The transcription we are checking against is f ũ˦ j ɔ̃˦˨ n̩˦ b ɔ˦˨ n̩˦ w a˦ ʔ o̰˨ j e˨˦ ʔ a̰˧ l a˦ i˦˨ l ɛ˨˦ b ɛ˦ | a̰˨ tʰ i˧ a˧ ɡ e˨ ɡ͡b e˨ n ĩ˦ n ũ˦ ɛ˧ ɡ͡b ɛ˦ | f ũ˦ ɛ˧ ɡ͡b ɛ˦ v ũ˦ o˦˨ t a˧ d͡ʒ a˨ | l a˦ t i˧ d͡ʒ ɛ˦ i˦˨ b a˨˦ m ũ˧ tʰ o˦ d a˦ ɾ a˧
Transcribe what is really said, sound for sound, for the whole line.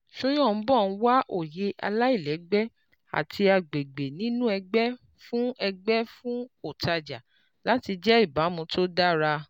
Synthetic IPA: ʃ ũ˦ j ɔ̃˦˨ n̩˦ b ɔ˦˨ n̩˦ w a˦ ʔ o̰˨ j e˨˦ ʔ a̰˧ l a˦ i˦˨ l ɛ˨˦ ɡ͡b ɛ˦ | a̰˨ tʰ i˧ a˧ ɡ͡b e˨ ɡ͡b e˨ n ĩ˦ n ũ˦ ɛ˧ ɡ͡b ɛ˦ | f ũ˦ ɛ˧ ɡ͡b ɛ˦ f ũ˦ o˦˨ t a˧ d͡ʒ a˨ | l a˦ t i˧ d͡ʒ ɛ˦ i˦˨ b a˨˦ m ũ˧ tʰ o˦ d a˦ ɾ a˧